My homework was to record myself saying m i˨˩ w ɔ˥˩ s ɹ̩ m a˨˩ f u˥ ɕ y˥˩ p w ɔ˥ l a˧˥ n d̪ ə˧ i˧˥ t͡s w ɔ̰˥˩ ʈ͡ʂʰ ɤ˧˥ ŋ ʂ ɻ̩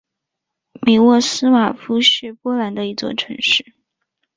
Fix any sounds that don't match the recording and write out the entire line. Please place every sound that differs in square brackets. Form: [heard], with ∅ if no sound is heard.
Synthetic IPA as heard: m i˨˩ w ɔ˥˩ s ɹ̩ m a˨˩ f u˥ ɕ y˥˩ p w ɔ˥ l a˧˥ n d̪ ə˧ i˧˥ t͡s w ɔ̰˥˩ ʈ͡ʂʰ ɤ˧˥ ŋ ʂ ɻ̩